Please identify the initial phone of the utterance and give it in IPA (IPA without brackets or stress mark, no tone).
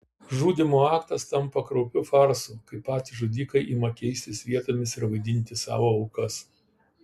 ʒ